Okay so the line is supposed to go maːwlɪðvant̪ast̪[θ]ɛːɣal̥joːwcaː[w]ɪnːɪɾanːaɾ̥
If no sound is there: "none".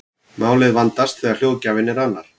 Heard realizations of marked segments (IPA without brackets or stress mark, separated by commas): θ, v